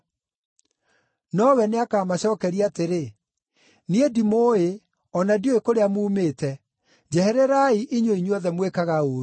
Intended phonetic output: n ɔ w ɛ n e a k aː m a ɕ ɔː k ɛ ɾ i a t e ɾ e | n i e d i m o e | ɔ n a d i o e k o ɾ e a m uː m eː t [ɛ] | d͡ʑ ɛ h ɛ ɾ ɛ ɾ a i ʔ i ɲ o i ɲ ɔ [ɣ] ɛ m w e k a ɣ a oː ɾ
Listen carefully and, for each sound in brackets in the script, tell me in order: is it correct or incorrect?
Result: correct, incorrect: ð

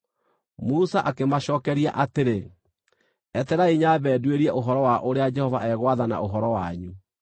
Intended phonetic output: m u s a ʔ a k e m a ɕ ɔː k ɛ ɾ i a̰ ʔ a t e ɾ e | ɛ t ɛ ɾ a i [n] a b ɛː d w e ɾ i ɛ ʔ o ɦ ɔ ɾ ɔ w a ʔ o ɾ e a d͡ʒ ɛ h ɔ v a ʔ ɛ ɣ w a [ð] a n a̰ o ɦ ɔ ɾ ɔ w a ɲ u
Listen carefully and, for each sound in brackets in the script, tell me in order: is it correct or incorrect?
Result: incorrect: ɲ, correct

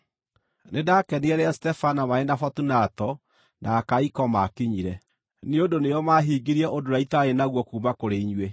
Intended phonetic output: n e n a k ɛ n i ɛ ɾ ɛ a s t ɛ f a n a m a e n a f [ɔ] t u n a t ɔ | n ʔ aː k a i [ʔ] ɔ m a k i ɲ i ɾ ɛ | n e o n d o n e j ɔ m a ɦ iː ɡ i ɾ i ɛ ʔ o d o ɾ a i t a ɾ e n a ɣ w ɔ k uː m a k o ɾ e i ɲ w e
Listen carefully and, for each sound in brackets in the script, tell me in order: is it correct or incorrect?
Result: correct, incorrect: k

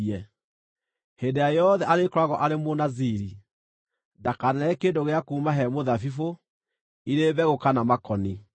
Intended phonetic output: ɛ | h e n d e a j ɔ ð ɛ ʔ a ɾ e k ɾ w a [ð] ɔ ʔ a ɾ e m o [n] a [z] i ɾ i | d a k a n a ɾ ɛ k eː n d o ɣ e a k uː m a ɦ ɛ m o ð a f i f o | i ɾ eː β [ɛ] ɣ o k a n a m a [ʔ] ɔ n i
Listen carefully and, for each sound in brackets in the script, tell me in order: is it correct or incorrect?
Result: incorrect: ɣ, correct, correct, correct, incorrect: k

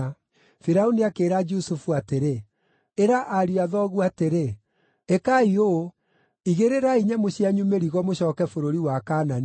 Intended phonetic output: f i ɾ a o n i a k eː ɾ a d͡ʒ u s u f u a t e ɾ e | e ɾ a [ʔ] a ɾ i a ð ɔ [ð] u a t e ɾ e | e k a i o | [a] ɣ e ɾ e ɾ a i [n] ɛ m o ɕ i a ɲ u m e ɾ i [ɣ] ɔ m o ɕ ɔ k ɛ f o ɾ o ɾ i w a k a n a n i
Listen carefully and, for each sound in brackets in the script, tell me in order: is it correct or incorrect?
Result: correct, incorrect: ɣ, incorrect: i, incorrect: ɲ, correct

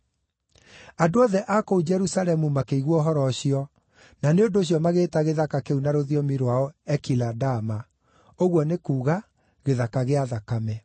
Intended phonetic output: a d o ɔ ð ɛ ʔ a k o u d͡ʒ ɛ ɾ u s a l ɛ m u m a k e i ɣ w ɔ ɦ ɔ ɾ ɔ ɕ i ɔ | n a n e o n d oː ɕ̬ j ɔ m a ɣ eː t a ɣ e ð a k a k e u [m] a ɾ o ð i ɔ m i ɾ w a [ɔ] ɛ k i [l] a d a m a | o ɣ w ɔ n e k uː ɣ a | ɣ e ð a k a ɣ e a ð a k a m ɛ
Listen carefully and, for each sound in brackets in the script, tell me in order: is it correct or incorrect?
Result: incorrect: n, correct, correct

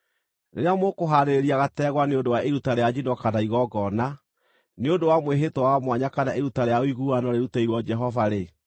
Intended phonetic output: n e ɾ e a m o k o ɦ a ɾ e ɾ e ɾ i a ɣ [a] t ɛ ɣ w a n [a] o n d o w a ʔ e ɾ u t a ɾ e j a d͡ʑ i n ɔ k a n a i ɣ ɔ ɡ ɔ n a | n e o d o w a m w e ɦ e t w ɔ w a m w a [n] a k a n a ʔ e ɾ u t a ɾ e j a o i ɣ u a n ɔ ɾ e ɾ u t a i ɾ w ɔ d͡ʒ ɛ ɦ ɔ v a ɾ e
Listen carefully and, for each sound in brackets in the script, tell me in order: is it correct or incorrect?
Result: correct, incorrect: e, incorrect: ɲ

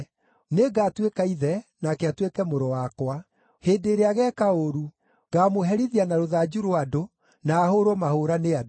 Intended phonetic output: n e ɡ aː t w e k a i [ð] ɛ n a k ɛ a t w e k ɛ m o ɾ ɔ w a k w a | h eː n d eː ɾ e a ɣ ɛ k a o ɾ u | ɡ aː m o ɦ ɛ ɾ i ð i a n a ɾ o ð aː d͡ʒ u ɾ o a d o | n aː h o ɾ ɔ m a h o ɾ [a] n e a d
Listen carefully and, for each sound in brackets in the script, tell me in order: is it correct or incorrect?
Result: correct, correct

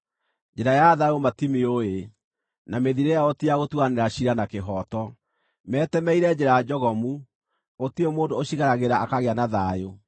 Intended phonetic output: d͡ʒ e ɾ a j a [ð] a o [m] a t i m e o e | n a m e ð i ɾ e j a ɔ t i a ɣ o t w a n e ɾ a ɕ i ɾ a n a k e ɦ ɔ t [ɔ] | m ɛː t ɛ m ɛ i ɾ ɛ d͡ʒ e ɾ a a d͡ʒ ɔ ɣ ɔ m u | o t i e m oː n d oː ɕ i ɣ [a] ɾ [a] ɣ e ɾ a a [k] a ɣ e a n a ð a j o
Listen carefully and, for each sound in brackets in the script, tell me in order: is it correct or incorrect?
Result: correct, correct, correct, correct, correct, correct

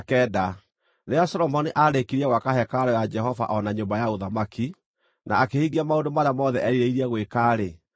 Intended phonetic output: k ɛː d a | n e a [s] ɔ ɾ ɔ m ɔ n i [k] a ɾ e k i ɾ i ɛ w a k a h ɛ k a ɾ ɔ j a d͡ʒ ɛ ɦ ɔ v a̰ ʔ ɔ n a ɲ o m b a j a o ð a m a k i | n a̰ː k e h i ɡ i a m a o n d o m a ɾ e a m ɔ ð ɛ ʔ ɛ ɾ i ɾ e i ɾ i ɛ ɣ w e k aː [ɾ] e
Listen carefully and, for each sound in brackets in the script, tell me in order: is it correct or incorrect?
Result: correct, incorrect: ʔ, correct

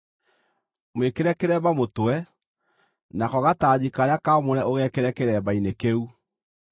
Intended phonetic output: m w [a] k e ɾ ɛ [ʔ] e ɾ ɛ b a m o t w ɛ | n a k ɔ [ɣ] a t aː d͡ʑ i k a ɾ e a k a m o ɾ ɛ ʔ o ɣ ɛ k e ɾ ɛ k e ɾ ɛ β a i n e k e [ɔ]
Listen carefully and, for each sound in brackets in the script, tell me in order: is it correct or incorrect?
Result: incorrect: e, incorrect: k, correct, incorrect: u

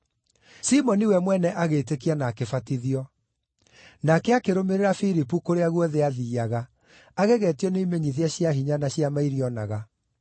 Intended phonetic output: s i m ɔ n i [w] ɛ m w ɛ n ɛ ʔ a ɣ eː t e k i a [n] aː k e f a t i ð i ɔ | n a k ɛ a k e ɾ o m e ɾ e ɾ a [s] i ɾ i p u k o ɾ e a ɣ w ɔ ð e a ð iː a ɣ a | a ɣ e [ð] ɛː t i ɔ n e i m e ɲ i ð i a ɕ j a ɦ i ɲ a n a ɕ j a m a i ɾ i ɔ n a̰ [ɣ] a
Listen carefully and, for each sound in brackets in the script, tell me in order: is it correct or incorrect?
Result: correct, correct, incorrect: f, incorrect: ɣ, correct

